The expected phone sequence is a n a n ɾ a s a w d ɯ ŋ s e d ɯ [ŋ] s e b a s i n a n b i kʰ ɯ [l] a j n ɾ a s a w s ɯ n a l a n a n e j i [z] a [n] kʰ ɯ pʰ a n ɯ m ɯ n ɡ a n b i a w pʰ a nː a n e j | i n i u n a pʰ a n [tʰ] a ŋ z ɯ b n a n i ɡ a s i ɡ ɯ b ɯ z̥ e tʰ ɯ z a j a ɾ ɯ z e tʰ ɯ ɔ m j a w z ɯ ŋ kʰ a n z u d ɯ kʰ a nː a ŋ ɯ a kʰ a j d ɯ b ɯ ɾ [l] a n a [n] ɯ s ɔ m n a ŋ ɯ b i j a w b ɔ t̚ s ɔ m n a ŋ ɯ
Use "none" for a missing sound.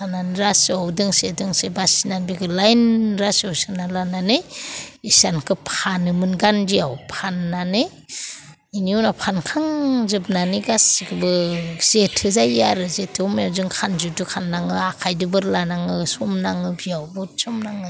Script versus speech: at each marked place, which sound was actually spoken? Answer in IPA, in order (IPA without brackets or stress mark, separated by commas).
ŋ, l, s, n, kʰ, l, ŋ